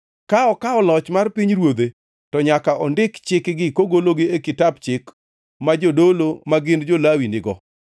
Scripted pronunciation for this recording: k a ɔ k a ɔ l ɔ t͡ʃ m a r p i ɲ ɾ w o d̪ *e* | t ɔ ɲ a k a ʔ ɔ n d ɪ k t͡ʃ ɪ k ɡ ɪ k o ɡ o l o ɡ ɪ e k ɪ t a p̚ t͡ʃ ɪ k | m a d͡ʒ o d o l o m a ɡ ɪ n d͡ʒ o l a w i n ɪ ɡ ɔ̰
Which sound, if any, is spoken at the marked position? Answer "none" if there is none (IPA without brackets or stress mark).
e